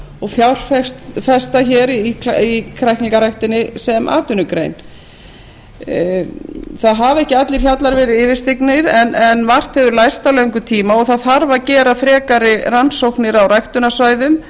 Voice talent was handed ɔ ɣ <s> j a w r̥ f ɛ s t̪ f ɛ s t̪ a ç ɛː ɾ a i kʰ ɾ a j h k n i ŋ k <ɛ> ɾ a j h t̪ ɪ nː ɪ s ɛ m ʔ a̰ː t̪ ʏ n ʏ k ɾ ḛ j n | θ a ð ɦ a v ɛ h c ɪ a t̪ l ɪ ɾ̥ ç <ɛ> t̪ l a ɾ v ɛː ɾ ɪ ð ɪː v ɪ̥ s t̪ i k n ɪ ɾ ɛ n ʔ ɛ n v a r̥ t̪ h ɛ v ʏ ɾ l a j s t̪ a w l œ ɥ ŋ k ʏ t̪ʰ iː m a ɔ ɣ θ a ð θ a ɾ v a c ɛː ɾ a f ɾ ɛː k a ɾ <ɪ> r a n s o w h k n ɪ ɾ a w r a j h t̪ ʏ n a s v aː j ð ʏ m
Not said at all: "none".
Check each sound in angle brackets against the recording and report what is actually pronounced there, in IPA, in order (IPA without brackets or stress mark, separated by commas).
f, a, a, ɪ